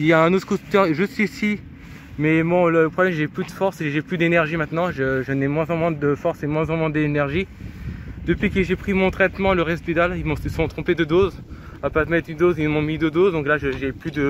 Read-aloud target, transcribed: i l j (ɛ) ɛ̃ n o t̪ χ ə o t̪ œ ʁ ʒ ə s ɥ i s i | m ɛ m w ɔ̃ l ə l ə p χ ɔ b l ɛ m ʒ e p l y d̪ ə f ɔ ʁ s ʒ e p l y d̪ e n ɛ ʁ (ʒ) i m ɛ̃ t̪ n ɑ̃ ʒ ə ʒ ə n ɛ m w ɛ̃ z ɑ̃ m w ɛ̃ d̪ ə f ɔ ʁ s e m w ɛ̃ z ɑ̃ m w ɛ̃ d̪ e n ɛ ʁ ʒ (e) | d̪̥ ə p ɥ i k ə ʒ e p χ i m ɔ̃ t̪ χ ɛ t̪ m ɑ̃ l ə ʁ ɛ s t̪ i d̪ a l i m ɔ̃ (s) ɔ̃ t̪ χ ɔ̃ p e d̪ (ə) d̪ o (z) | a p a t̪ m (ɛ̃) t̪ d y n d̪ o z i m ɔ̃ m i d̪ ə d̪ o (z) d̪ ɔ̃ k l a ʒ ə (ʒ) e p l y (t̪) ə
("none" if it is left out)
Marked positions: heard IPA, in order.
a, ʒ, i, s, ə, z, ɛ, z, ʒ, d̪

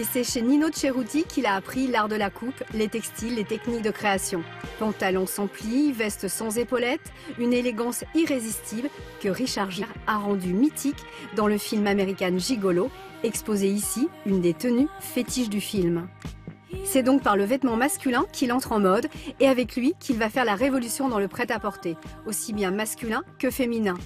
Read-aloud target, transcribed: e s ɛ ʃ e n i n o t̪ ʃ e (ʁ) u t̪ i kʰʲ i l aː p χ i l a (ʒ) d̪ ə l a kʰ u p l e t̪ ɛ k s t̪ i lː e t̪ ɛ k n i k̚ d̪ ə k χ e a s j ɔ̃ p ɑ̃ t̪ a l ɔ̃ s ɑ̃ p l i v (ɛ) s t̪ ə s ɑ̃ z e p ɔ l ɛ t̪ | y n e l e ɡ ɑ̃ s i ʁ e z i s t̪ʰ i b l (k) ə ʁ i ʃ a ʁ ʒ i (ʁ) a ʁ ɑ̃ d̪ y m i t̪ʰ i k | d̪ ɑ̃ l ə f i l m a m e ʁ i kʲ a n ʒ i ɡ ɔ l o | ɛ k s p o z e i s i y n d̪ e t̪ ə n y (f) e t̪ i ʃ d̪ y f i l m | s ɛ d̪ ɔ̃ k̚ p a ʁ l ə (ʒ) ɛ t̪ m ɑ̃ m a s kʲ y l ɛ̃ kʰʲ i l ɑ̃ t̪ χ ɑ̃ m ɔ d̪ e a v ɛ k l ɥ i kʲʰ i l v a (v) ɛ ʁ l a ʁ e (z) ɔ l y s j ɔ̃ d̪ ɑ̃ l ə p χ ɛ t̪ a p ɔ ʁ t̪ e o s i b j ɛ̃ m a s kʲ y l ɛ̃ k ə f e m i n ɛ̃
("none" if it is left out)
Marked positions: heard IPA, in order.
ʁ, ʁ, ɛ, k, ʁ, f, v, f, v

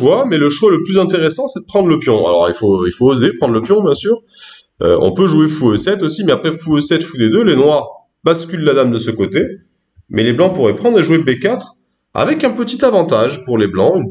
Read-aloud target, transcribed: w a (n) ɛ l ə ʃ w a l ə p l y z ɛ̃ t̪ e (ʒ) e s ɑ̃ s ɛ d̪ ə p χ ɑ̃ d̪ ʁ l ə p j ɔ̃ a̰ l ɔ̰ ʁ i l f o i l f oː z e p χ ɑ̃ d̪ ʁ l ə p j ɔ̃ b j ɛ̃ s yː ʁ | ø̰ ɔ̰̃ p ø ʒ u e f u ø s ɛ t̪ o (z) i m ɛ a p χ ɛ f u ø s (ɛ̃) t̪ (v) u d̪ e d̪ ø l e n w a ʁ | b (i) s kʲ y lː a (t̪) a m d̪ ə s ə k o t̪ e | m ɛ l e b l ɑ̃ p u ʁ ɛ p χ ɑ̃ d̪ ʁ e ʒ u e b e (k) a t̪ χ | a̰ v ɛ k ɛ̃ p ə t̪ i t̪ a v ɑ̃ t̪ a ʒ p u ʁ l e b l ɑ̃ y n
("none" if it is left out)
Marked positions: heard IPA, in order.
m, ʁ, s, ɛ, f, a, d̪, k

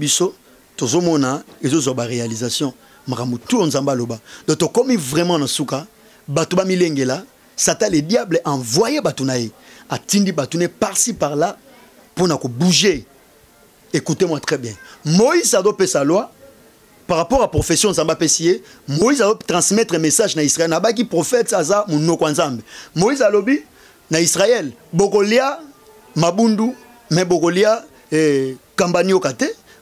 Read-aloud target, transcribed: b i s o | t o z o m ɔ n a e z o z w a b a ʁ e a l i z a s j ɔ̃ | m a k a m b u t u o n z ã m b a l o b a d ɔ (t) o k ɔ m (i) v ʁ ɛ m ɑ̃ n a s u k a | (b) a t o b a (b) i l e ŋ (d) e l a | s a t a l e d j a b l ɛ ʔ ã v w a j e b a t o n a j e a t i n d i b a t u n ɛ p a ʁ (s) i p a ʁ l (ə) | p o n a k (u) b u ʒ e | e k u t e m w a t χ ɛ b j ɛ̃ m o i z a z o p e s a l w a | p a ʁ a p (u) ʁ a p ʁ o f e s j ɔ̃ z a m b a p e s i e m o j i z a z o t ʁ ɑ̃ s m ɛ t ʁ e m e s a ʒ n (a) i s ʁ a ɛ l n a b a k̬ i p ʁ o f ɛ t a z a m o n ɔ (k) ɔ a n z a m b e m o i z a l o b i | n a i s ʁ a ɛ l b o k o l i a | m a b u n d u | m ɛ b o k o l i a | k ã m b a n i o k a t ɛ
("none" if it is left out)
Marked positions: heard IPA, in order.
t, i, b, m, ɡ, s, a, o, ɔ, a, k

